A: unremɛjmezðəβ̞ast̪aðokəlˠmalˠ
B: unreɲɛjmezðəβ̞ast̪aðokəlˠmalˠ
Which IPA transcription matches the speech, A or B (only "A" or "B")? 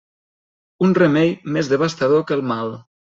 A